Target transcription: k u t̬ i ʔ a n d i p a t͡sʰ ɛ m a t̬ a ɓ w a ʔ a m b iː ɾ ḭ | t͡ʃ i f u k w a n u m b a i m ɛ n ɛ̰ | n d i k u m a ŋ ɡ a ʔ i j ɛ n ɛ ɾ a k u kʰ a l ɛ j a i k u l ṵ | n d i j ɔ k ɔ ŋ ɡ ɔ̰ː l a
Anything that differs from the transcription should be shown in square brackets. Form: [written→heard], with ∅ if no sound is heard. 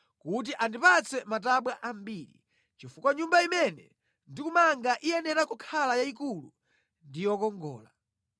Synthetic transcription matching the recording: k u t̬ i ʔ a n d i p a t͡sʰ ɛ m a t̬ a ɓ w a ʔ a m b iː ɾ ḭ | t͡ʃ i f u k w a [n→ɲ] u m b a i m ɛ n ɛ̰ | n d i k u m a ŋ ɡ a ʔ i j ɛ n ɛ ɾ a k u kʰ a l [ɛ→a] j a i k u l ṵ | n d i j ɔ k ɔ ŋ ɡ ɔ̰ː l a